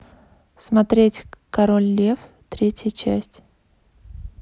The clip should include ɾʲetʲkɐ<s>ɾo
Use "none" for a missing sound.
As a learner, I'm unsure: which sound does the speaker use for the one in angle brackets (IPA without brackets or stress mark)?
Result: none